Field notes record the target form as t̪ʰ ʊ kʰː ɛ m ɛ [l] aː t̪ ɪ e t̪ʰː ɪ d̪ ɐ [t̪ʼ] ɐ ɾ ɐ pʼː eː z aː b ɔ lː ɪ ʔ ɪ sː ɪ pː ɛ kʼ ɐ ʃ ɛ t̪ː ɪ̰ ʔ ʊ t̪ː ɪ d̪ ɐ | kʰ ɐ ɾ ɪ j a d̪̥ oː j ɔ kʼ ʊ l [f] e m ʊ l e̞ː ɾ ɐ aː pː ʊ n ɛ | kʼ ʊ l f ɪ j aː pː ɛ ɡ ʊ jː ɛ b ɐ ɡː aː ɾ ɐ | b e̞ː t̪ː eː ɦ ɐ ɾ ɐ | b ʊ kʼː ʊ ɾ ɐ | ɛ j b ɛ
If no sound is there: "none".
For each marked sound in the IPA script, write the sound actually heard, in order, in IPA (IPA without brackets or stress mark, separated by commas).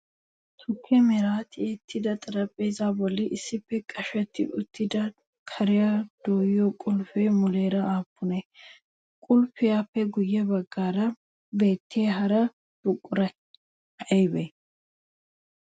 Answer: ɾ, t̪ʼ, f